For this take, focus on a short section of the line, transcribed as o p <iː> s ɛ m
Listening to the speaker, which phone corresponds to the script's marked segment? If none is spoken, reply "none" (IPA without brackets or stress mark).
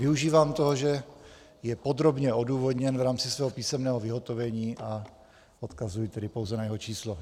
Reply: iː